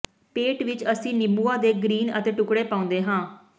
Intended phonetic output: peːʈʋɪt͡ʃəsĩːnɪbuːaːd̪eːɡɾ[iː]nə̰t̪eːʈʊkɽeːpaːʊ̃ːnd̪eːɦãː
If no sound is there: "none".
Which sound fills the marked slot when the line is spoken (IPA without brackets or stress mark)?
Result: iː